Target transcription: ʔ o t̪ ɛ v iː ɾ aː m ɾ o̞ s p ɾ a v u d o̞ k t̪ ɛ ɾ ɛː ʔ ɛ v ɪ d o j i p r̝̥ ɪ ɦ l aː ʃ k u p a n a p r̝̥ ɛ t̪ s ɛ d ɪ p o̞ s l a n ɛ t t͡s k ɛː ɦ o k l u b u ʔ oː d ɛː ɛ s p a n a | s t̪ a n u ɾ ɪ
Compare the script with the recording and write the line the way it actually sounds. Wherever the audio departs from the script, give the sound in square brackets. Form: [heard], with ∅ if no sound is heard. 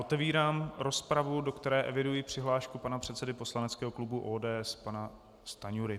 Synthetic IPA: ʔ o t̪ ɛ v iː ɾ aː m ɾ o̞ s p ɾ a v u d o̞ k t̪ ɛ ɾ ɛː ʔ ɛ v ɪ d [u] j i p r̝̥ ɪ ɦ l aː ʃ k u p a n a p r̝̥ ɛ t̪ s ɛ d ɪ p o̞ s l a n ɛ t t͡s k ɛː ɦ o k l u b u ʔ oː d ɛː ɛ s p a n a | s t̪ a [ɲ] u ɾ ɪ